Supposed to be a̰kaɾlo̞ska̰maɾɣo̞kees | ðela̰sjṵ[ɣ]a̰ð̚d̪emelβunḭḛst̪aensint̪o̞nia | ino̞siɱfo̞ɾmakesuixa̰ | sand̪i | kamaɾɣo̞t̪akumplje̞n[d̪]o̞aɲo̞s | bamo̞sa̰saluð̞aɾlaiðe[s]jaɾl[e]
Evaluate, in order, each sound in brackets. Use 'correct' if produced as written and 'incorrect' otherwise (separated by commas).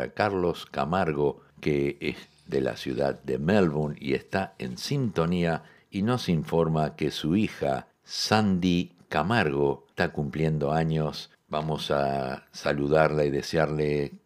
incorrect, correct, correct, correct